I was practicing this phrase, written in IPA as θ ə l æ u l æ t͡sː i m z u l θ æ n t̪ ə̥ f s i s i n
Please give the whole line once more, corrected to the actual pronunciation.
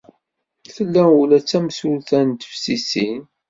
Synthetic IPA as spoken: θ ə lː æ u l æ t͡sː æ m s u l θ æ n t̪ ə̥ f s i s i n

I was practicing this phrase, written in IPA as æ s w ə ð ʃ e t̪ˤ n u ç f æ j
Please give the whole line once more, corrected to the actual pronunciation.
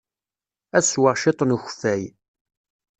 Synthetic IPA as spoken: æ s w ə ʁ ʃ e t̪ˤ n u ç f æ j

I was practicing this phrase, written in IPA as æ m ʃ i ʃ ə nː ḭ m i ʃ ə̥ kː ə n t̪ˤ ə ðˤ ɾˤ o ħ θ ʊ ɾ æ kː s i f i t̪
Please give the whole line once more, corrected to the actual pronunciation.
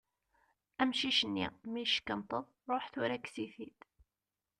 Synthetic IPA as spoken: æ m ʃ i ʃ ə nː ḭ m i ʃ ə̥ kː ə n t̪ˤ ə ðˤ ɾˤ o ħ θ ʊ ɾ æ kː s i θ i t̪

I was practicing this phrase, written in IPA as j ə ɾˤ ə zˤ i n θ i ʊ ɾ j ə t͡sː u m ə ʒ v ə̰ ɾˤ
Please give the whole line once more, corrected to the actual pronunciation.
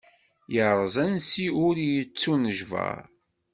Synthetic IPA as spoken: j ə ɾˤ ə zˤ æ n s i ʊ ɾ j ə t͡sː u n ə ʒ v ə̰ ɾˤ

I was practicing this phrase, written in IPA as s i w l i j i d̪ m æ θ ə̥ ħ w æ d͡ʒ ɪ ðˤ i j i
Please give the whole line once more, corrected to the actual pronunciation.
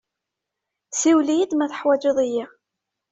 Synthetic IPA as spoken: s i w l i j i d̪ m æ θ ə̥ ħ w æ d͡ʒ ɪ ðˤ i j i

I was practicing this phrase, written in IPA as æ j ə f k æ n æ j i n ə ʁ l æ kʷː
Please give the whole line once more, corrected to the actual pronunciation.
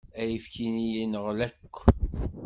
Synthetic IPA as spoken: æ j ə f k i n i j i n ə ʁ l æ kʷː

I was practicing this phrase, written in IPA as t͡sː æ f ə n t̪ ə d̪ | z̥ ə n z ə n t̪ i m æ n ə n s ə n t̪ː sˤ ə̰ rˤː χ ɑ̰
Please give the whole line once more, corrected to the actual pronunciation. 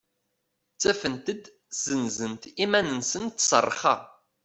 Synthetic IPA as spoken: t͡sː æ f ə n t̪ ə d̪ | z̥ ə n z ə n t̪ i m æ n ə n s ə n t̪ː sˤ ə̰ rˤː χ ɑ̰

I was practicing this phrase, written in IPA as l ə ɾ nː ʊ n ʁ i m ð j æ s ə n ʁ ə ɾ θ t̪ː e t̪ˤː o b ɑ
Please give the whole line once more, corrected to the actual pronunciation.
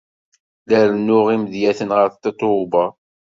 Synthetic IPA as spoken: l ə ɾ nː ʊ ʁ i m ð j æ θ ə n ʁ ə ɾ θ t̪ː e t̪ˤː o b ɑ

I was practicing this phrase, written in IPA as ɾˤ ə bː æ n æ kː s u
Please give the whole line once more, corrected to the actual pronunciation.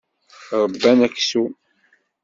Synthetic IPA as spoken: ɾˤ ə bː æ n æ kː s u

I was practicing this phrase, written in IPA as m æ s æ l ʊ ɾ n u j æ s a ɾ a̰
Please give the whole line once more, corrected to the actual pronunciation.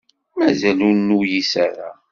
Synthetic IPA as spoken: m æ z æ l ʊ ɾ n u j i s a ɾ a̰

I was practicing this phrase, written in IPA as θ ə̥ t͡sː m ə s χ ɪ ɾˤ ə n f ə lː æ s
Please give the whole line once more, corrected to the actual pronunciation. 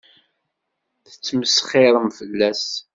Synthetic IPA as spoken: θ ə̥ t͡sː m ə s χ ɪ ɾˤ ə m f ə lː æ s

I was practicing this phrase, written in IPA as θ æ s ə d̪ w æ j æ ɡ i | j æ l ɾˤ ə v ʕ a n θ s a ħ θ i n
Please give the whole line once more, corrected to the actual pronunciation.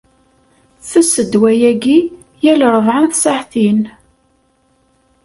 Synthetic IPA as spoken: θ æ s ə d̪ w æ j æ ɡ i | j æ l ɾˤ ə v ʕ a n θ s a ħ θ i n

